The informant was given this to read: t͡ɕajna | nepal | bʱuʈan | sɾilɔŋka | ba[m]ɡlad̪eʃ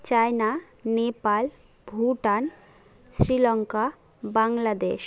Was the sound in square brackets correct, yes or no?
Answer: no